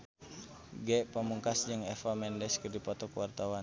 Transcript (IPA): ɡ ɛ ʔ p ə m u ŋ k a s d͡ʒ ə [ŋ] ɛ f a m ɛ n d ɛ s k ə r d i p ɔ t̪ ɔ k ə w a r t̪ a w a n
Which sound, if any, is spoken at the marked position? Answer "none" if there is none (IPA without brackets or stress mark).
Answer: ŋ